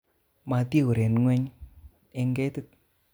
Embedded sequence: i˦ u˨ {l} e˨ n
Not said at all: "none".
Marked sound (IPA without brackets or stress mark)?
ɾ